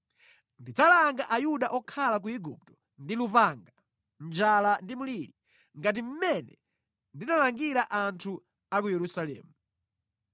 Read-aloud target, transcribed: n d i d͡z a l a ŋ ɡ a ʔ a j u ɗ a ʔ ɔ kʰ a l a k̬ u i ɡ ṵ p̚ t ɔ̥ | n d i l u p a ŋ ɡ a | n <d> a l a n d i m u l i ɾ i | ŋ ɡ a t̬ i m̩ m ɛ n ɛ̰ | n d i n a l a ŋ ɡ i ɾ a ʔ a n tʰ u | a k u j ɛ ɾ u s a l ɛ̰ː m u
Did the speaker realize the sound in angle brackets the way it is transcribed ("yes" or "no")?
no